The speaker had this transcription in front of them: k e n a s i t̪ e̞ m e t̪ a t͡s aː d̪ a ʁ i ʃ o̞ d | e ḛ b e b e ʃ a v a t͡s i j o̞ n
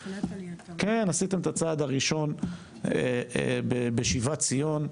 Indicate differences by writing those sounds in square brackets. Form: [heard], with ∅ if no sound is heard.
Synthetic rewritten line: k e n a s i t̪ e̞ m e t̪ a t͡s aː d̪ a ʁ i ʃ o̞ [n] | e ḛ b e b e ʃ [i] v a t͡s i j o̞ n